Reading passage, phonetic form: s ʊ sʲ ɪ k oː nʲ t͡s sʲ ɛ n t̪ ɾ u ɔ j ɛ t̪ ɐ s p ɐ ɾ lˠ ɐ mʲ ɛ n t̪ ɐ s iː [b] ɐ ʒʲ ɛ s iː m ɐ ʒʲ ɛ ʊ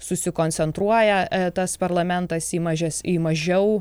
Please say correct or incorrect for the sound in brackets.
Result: incorrect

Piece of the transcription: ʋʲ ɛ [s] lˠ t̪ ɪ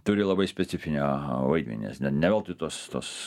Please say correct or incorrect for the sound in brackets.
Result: incorrect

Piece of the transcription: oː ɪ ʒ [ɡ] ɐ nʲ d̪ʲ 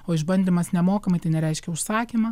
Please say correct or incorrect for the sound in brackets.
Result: incorrect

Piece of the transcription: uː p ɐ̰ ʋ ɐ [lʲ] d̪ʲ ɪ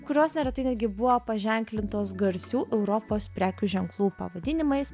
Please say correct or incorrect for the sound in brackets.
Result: incorrect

